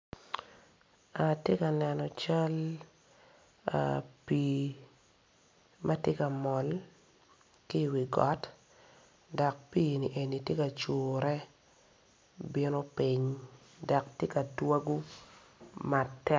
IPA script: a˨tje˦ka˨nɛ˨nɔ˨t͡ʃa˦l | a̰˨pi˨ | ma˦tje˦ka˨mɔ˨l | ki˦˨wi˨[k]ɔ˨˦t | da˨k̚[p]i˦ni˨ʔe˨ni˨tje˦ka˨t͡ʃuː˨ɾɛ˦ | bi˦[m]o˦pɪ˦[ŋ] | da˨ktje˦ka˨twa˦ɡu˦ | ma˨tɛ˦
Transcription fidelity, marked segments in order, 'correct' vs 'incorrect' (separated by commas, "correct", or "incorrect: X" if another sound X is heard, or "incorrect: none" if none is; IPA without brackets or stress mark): incorrect: ɡ, correct, incorrect: n, incorrect: ɲ